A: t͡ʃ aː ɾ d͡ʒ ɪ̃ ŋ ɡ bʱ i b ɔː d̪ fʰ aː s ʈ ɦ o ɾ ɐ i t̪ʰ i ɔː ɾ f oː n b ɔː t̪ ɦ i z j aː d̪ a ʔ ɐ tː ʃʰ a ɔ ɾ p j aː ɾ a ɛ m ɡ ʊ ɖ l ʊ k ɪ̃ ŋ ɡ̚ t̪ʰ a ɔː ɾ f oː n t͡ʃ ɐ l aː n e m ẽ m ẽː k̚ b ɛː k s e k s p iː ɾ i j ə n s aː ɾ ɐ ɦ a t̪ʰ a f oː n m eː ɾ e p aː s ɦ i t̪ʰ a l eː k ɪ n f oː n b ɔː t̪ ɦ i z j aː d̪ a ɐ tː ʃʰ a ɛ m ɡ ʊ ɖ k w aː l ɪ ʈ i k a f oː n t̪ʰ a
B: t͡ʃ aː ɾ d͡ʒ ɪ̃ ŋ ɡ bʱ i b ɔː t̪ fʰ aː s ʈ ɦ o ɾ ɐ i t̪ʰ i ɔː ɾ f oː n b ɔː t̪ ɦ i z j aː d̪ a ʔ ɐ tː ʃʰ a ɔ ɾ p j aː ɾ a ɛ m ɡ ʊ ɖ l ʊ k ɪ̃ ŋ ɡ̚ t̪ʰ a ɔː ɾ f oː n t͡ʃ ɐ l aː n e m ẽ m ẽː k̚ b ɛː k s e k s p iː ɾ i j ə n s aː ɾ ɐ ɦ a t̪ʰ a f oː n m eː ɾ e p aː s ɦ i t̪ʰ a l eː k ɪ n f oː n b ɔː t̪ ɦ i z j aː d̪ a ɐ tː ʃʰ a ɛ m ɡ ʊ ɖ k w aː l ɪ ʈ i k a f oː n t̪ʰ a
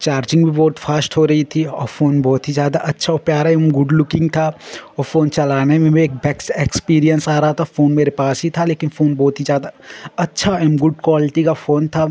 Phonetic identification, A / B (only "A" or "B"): B